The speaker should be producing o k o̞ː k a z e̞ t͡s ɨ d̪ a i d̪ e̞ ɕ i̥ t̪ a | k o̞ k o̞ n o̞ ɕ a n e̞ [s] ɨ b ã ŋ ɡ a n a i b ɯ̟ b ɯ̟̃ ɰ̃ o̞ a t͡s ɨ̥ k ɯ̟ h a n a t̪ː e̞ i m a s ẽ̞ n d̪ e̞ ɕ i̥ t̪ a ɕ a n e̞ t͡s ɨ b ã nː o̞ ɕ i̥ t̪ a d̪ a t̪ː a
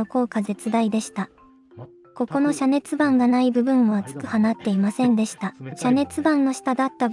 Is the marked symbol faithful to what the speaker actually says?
no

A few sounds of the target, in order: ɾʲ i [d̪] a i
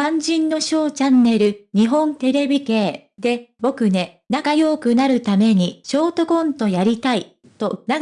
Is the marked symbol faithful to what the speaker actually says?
no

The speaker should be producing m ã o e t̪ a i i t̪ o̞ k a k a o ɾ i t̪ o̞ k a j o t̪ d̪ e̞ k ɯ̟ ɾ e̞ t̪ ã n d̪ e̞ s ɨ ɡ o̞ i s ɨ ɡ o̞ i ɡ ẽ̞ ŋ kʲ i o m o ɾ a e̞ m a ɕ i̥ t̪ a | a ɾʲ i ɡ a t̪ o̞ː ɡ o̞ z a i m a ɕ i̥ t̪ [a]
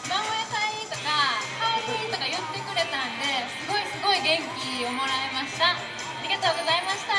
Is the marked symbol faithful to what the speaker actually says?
yes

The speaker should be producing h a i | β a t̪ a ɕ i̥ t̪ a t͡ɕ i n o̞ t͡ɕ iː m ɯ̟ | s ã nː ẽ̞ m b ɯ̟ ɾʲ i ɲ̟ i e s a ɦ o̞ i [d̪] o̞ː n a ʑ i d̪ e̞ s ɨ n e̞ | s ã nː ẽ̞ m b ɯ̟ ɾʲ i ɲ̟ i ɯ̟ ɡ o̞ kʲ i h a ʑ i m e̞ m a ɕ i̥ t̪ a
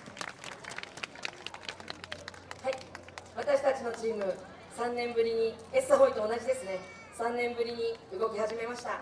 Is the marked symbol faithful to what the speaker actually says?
no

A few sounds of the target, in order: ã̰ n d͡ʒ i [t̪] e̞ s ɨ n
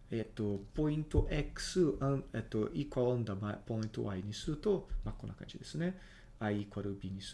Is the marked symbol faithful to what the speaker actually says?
no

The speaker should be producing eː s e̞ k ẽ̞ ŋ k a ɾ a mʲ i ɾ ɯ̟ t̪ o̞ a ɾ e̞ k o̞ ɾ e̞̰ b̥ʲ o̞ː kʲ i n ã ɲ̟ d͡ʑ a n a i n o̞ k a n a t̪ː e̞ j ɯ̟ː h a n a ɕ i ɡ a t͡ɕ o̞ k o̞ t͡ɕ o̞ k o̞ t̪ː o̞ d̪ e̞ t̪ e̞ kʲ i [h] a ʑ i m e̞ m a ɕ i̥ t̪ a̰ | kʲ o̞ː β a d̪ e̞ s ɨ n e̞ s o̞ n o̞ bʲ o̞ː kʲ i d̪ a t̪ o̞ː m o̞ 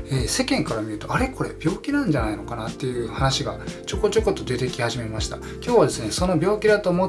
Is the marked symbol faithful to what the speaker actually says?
yes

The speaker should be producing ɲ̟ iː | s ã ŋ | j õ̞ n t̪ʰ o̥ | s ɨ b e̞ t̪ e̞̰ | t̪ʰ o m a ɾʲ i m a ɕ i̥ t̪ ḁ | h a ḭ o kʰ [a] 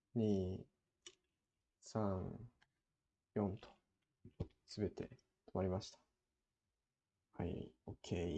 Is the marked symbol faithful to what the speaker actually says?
no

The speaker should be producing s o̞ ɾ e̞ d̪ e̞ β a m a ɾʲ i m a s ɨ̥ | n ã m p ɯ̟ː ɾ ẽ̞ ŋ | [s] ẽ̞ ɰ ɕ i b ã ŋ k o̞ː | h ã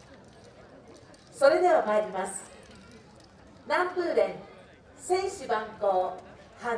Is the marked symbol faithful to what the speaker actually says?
yes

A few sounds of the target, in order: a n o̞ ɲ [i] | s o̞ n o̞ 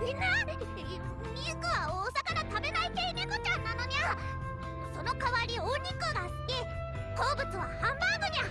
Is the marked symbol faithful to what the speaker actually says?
no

